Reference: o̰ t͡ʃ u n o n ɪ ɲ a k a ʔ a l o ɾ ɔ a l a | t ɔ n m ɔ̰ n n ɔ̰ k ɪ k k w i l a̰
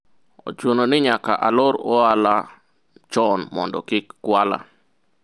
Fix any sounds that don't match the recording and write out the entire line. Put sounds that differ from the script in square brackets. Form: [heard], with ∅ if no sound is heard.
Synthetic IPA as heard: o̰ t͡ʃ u n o n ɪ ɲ a k a ʔ a l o ɾ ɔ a l a | [t͡ʃ] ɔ n m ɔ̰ n [d] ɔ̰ k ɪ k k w [a] l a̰

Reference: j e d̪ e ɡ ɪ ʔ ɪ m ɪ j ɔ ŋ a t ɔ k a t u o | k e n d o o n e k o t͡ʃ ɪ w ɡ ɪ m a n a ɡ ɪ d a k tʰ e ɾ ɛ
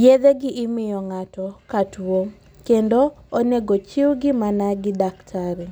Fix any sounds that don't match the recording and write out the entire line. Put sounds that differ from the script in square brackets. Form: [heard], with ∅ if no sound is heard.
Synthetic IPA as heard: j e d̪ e ɡ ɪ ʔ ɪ m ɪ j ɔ ŋ a t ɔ k a t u o | k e n d o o n e [ɡ] o t͡ʃ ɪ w ɡ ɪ m a n a ɡ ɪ d a k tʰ [a] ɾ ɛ

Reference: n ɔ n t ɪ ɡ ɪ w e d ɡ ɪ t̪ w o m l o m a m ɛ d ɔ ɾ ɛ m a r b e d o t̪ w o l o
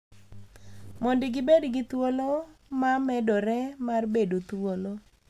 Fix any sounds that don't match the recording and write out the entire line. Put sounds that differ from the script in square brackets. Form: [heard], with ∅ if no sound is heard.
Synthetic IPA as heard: [m] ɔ n [d] ɪ ɡ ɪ [b] e d ɡ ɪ t̪ w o [∅] l o m a m ɛ d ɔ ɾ ɛ m a r b e d o t̪ w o l o

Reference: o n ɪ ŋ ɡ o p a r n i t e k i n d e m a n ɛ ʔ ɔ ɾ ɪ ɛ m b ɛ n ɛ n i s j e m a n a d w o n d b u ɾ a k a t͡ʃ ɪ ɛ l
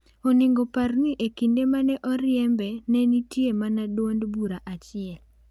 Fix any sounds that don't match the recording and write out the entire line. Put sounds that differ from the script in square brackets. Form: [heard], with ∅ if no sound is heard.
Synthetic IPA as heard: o n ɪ ŋ ɡ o p a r n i [ʔ] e k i n d e m a n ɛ ʔ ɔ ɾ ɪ ɛ m b ɛ n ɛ n i [t] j e m a n a d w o n d b u ɾ a [ʔ] a t͡ʃ ɪ ɛ l

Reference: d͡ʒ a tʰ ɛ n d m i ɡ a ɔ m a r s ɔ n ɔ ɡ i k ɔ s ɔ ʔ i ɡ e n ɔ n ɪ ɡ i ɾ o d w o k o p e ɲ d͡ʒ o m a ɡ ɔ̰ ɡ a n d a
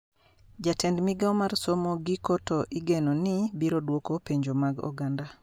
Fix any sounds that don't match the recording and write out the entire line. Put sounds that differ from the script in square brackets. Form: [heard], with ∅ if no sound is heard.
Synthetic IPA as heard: d͡ʒ a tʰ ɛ n d m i ɡ a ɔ m a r s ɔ [m] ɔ ɡ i k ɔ [t] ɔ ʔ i ɡ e n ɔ n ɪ [b] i ɾ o d w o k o p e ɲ d͡ʒ o m a ɡ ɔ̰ ɡ a n d a

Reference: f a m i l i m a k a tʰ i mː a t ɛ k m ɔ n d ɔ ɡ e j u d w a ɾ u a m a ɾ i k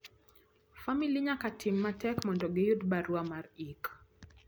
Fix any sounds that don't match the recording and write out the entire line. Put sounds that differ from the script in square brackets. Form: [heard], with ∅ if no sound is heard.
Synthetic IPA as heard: f a m i l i [ɲ] a k a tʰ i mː a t ɛ k m ɔ n d ɔ ɡ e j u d [b] a ɾ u a m a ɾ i k

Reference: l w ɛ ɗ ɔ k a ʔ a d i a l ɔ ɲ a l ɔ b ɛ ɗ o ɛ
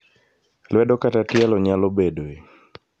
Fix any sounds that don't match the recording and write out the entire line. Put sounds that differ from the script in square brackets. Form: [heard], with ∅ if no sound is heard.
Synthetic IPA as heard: l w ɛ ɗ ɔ k a [t] a [t] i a l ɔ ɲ a l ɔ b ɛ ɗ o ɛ

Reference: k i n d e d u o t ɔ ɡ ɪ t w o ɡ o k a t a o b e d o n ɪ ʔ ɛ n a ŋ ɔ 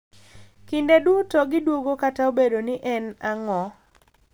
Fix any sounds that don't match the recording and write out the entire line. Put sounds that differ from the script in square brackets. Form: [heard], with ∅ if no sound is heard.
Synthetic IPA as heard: k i n d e d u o t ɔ ɡ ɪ [d] w o ɡ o k a t a o b e d o n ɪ ʔ ɛ n a ŋ ɔ

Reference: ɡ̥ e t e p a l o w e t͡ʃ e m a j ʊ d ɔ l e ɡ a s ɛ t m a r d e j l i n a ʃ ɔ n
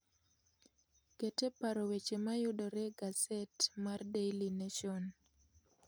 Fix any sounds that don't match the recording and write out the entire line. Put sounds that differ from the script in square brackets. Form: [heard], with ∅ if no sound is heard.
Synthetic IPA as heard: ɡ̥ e t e p a [ɾ] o w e t͡ʃ e m a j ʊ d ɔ [ɾ] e ɡ a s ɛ t m a r d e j l i n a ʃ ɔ n

